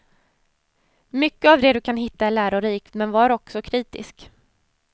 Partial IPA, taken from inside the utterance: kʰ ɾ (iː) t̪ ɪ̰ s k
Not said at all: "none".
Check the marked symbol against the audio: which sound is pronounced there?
iː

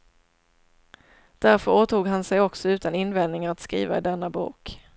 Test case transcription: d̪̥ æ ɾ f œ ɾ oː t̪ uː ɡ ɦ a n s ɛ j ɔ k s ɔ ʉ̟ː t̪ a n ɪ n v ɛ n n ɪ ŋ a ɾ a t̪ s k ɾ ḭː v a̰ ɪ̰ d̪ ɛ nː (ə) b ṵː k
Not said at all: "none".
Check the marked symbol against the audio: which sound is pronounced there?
a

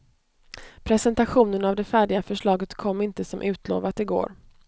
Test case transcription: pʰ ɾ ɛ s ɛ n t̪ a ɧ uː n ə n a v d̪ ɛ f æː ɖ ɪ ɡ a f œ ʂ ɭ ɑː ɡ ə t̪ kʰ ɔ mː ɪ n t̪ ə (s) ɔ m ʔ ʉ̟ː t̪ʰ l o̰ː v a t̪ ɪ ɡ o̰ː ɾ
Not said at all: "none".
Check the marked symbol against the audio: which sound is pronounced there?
s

